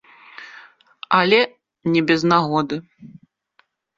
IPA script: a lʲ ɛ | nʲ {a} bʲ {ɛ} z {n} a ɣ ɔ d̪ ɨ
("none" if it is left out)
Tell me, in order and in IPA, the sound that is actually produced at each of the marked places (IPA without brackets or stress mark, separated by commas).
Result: ɛ, ɛ, n